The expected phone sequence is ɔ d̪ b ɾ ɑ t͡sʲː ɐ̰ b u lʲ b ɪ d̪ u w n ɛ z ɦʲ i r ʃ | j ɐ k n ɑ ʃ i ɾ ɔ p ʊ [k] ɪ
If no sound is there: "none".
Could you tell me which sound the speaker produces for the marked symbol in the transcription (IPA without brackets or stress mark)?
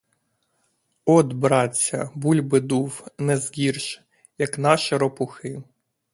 x